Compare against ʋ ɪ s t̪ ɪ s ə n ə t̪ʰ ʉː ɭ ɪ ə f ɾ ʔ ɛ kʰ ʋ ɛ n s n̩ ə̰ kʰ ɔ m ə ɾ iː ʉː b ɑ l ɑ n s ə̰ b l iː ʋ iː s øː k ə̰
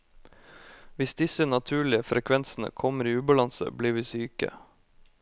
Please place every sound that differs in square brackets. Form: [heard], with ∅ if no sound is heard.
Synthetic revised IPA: ʋ ɪ s [d̪] ɪ s ə n [ɑ] t̪ʰ ʉː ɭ ɪ ə f ɾ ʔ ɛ kʰ ʋ ɛ n s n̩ ə̰ kʰ ɔ m ə ɾ iː ʉː b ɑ l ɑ n s ə̰ b l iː ʋ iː s [yː] k ə̰

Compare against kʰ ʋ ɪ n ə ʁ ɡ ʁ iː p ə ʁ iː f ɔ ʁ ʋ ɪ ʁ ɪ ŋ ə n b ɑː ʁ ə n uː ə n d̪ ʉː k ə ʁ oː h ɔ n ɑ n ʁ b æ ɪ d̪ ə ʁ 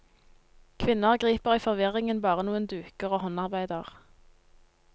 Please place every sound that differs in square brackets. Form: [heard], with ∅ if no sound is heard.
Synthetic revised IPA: kʰ ʋ ɪ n ə ʁ ɡ ʁ iː p ə ʁ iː f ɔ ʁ ʋ ɪ ʁ ɪ ŋ ə n b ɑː ʁ ə n uː ə n d̪ ʉː k ə ʁ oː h ɔ n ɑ [∅] ʁ b æ ɪ d̪ ə ʁ

